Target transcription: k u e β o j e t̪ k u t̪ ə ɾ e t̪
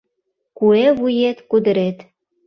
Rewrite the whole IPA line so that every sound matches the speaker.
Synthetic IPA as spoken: k u e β u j e t̪ k u d̪ ə ɾ e t̪